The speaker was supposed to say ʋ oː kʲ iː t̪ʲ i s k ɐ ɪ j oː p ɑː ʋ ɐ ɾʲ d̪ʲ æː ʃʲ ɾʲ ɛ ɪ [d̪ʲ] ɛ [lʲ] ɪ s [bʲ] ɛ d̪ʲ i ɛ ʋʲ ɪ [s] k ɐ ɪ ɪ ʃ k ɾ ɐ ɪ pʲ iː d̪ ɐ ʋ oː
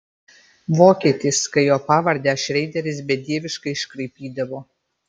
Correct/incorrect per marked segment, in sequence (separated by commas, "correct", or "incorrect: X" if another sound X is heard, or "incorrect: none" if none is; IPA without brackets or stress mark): correct, incorrect: ɾʲ, correct, incorrect: ʃ